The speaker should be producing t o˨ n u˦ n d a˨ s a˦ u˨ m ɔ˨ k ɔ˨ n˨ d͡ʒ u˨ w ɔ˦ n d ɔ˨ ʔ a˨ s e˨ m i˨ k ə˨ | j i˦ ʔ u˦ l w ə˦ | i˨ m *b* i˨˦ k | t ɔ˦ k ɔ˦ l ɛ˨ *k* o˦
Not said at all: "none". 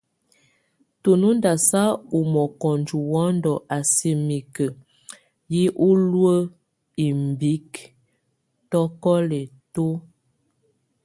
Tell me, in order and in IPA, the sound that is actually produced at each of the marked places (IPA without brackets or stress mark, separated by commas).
b, t